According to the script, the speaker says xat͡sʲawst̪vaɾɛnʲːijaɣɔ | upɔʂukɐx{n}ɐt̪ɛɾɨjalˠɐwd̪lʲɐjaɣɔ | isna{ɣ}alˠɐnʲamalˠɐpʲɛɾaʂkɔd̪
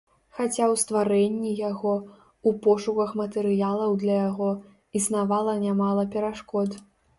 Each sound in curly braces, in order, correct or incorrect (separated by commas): incorrect, incorrect